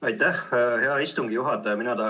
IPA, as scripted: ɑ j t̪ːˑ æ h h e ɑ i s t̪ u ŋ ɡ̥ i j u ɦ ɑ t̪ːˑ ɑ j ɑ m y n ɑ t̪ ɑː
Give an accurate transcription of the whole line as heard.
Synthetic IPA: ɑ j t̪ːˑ æ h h e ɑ i s t̪ u ŋ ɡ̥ i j u ɦ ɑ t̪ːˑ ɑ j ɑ m i n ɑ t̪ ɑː